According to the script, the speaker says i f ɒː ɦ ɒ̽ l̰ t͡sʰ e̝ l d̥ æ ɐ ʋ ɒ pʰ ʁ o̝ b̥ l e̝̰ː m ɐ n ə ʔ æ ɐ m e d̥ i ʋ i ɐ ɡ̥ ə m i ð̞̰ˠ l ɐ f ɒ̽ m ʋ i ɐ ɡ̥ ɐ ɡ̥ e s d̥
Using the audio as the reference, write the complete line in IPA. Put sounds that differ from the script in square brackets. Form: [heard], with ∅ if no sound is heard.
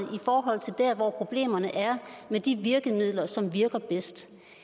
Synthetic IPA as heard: i f ɒː ɦ ɒ̽ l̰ t͡sʰ e̝ l d̥ æ ɐ ʋ ɒ pʰ ʁ o̝ b̥ l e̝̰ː m ɐ n ə ʔ æ ɐ m e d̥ i ʋ i ɐ ɡ̥ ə m i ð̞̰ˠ l ɐ [s] ɒ̽ m ʋ i ɐ ɡ̥ ɐ [b̥] e s d̥